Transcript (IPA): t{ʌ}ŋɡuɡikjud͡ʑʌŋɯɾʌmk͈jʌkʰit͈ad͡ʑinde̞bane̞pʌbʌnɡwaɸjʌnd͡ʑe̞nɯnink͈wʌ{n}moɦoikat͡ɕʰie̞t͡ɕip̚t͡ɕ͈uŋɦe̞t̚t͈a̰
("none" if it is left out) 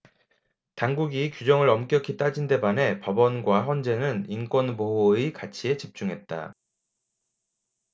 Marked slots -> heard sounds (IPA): a, n

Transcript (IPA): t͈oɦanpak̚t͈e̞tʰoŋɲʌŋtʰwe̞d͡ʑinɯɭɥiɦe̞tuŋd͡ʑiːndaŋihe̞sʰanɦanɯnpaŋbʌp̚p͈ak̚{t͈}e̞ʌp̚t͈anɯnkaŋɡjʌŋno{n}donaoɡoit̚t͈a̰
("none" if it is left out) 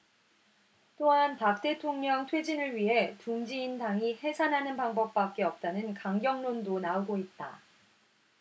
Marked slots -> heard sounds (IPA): k͈, n

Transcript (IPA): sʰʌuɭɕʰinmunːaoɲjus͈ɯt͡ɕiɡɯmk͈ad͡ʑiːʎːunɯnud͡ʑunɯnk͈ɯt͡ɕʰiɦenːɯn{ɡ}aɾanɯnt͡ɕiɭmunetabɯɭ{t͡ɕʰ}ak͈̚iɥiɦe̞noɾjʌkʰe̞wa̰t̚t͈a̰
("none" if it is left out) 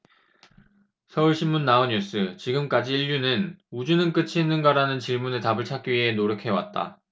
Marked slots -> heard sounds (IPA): ɡ, t͡ɕʰ

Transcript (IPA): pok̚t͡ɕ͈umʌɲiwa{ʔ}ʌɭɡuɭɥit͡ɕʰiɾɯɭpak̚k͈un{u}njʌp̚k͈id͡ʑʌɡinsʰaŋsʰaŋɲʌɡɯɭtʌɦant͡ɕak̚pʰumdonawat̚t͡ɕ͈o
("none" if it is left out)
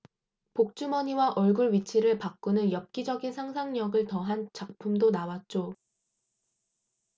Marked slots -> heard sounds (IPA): ʔ, ɯ

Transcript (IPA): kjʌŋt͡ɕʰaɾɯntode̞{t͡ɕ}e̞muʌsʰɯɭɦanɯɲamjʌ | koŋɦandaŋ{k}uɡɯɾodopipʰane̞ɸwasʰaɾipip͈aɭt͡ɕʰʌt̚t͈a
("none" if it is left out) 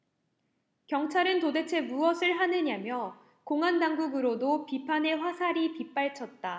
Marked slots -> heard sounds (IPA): t͡ɕʰ, ɡ

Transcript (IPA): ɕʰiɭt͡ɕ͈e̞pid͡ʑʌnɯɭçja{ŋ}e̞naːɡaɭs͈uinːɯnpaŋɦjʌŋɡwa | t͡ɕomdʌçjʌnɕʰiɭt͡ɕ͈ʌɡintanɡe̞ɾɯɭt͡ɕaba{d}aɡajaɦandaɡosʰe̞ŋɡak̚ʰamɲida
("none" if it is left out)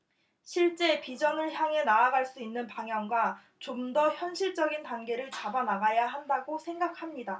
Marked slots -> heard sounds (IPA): ŋ, n

